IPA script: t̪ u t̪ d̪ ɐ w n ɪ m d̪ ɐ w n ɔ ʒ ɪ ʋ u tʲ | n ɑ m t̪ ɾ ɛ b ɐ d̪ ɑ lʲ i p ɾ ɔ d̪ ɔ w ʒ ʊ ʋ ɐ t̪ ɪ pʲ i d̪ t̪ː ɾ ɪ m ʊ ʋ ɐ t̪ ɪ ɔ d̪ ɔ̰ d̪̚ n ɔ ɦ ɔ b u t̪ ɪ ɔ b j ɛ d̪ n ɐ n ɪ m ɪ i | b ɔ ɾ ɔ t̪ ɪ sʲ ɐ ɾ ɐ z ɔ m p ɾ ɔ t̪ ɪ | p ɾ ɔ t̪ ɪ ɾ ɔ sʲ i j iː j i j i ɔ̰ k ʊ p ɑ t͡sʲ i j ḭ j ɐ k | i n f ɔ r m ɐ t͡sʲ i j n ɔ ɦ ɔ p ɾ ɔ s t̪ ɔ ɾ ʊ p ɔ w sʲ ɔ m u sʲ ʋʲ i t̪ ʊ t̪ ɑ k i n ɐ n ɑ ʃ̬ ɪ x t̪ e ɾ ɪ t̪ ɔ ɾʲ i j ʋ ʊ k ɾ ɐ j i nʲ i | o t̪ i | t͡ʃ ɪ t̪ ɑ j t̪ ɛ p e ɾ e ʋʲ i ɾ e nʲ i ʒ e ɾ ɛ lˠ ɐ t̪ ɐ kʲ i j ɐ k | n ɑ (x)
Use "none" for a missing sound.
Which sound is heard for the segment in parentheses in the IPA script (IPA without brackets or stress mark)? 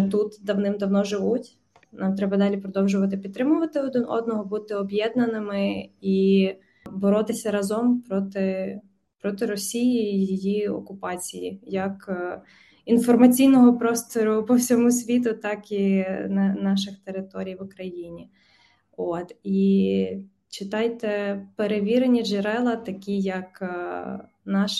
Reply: ʃ